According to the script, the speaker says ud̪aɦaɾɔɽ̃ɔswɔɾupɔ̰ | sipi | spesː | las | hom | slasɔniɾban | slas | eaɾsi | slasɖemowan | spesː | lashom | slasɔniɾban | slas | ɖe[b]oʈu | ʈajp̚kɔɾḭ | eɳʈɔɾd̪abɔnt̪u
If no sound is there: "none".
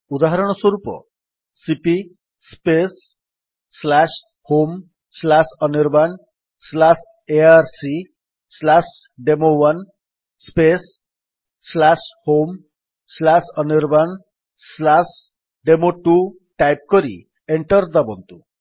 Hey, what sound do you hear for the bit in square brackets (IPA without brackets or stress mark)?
m